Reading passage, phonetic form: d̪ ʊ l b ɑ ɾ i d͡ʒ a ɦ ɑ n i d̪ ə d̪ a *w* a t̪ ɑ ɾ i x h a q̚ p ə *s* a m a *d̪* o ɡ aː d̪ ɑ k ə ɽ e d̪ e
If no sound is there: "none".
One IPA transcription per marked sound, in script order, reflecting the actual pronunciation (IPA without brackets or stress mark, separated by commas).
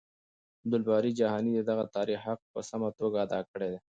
ɣ, s, t̪